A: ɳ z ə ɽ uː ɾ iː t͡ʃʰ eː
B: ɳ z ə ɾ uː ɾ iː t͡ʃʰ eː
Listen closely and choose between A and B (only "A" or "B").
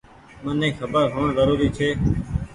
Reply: B